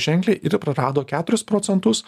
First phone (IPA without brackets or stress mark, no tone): ʒʲ